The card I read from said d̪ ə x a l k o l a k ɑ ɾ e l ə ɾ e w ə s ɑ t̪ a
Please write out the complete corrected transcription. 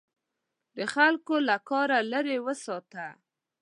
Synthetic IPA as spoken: d̪ ə x a l k o l a k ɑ ɾ a l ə ɾ e w ə s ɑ t̪ a